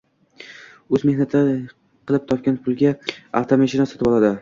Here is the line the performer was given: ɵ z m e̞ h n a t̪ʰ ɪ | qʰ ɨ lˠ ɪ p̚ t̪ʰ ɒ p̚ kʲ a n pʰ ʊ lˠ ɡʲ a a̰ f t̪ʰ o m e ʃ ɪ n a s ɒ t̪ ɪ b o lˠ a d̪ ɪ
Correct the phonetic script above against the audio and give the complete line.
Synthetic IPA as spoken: ɵ z m e̞ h n a t̪ʰ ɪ | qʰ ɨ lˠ ɪ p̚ t̪ʰ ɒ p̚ kʲ a n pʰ ʊ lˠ ɡʲ a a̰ f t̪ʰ o m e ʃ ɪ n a s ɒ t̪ ɪ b ɒ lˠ a d̪ ɪ